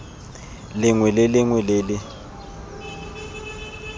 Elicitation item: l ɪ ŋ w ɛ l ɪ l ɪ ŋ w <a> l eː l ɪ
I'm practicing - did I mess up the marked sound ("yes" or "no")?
yes